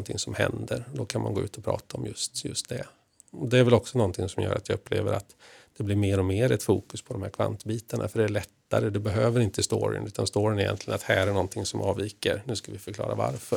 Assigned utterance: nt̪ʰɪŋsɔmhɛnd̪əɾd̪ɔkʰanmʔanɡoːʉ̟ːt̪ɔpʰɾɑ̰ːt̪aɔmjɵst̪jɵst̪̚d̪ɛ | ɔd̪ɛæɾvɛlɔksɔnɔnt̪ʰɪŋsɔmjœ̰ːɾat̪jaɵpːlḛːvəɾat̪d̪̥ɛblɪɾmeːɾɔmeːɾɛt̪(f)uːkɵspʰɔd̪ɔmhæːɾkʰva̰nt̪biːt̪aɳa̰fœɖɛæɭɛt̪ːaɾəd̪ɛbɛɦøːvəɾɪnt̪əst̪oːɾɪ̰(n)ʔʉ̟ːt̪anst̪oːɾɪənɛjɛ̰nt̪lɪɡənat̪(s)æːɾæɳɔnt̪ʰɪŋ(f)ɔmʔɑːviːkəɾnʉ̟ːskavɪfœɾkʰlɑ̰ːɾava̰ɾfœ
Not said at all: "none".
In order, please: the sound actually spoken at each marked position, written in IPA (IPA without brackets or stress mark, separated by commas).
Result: f, n, h, s